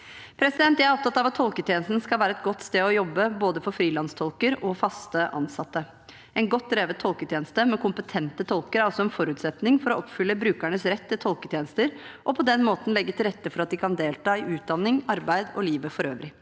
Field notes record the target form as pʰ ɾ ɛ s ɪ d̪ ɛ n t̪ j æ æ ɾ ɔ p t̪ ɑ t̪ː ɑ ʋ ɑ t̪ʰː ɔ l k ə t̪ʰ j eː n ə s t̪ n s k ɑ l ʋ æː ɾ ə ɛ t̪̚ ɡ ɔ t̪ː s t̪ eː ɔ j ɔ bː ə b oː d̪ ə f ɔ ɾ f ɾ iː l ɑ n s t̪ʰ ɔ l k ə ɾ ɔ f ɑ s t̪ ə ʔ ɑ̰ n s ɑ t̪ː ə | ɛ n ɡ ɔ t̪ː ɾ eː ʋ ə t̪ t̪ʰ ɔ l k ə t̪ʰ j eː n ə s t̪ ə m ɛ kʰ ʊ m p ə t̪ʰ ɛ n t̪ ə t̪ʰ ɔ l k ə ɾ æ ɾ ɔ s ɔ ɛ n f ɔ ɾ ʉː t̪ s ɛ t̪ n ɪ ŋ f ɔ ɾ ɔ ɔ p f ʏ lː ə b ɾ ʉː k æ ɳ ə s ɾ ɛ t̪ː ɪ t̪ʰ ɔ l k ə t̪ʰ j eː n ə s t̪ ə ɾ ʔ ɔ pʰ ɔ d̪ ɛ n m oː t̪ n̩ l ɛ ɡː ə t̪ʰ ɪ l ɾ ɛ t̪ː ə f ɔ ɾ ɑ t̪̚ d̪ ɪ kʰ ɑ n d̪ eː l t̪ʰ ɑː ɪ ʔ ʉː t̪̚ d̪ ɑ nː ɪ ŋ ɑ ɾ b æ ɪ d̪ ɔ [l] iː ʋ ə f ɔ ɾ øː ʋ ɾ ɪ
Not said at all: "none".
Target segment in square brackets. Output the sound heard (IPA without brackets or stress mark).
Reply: l